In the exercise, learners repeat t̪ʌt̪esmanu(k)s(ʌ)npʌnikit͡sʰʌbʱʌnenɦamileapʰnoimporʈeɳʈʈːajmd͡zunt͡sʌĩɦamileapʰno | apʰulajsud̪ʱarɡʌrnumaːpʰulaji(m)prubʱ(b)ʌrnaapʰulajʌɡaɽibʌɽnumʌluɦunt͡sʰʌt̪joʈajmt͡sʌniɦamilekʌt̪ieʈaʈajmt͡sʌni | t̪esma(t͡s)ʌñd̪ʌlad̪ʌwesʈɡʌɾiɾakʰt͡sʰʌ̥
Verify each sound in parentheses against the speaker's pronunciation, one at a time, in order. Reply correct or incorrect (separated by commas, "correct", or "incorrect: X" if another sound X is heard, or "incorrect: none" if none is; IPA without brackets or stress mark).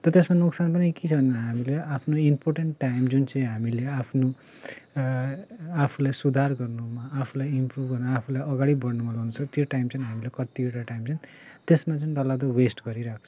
correct, incorrect: a, correct, incorrect: ɡ, correct